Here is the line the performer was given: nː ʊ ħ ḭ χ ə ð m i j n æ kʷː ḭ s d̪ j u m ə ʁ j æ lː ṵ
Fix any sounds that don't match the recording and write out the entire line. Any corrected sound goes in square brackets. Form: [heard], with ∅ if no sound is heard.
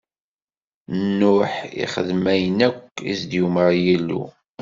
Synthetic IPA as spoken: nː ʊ ħ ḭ χ ə ð m [æ] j n æ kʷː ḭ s d̪ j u m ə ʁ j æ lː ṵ